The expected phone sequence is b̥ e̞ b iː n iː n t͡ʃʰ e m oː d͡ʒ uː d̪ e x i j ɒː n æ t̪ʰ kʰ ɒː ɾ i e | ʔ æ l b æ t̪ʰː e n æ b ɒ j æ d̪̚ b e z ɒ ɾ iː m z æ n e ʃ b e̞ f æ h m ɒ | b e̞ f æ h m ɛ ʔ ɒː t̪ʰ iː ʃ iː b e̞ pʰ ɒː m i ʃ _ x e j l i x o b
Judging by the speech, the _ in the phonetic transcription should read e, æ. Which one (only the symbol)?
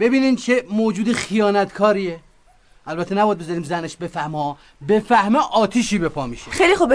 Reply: e